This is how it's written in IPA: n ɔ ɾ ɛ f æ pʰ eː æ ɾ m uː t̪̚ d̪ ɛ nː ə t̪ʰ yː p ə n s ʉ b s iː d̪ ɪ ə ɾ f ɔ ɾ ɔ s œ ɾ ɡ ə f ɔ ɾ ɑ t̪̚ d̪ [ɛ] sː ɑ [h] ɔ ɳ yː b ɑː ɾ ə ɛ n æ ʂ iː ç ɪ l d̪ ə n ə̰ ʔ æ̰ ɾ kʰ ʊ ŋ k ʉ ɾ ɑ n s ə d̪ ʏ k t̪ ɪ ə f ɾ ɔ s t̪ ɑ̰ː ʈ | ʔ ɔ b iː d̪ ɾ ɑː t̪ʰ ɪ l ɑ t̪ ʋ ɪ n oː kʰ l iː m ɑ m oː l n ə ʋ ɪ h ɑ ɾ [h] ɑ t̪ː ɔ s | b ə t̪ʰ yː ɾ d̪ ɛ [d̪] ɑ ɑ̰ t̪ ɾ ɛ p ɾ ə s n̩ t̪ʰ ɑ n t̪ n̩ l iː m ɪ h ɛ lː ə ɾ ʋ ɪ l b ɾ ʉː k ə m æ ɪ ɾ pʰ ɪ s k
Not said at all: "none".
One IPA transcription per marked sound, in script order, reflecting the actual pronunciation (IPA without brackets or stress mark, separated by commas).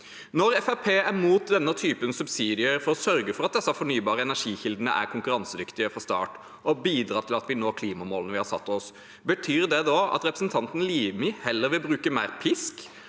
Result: ɛ, f, s, d̪